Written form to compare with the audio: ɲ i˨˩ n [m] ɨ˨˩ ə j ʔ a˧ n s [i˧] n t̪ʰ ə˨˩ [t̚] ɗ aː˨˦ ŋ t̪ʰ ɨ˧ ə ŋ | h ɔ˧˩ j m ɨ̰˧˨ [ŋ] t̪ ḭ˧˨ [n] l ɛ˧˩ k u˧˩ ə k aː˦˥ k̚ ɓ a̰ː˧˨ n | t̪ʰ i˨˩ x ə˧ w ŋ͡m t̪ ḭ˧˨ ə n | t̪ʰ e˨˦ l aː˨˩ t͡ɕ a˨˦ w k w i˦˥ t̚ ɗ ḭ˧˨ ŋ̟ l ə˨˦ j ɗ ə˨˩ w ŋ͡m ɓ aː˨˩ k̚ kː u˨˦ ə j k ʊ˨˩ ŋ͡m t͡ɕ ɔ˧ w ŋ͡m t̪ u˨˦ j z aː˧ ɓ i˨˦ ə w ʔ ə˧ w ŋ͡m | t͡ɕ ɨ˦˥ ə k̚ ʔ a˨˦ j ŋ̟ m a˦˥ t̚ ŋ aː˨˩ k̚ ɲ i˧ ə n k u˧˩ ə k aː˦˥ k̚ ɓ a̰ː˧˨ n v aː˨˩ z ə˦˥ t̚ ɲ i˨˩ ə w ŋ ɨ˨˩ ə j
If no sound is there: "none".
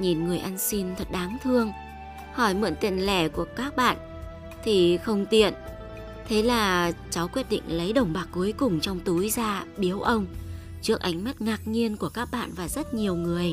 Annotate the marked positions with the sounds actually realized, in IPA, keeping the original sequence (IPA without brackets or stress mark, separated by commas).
ŋ, i˧, t̚, n, n